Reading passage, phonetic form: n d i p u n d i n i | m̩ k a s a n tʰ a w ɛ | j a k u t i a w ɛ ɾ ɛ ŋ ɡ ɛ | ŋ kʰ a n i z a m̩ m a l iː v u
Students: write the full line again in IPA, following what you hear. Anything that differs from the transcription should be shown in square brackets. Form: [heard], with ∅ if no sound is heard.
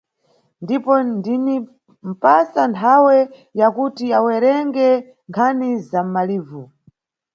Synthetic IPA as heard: n d i p [ɔ] n d i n i | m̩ [p] a s a n tʰ a w ɛ | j a k u t i a w ɛ ɾ ɛ ŋ ɡ ɛ | ŋ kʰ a n i z a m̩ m a l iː v u